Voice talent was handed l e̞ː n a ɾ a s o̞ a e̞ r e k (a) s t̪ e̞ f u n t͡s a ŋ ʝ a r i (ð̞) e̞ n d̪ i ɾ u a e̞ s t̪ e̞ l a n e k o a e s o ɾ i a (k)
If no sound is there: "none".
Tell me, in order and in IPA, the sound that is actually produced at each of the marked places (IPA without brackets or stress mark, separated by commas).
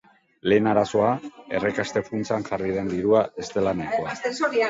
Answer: a, ð̞, none